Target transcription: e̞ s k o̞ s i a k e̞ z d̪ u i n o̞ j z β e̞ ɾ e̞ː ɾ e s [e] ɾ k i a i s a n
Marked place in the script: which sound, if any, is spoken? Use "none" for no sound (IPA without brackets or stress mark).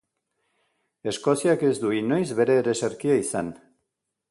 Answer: e